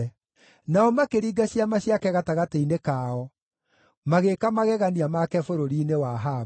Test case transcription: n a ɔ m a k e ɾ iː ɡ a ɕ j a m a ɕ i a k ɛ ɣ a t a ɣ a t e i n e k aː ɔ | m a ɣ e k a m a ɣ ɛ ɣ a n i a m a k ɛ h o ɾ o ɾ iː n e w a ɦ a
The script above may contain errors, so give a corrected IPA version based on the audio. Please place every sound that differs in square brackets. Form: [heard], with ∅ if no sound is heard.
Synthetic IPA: n a ɔ m a k e ɾ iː ɡ a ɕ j a m a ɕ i a k ɛ ɣ a t a ɣ a t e i n e k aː ɔ | m a ɣ e k a m a ɣ ɛ ɣ a n i a m a k ɛ [f] o ɾ o ɾ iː n e w a ɦ a